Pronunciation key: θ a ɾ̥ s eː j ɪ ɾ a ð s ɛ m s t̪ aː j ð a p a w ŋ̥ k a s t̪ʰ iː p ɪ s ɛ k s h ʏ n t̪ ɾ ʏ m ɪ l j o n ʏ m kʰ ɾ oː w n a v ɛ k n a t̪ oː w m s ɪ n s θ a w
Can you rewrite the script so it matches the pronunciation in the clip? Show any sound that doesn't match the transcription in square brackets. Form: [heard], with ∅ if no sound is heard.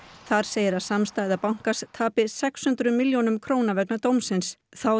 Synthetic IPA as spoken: θ a ɾ̥ s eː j ɪ ɾ a ð s [a] m s t̪ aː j ð a p a w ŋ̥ k a s t̪ʰ [aː] p ɪ s ɛ k s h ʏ n t̪ ɾ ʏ m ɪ l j o n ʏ m kʰ ɾ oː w n a v ɛ k n a t̪ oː w m s ɪ n s θ a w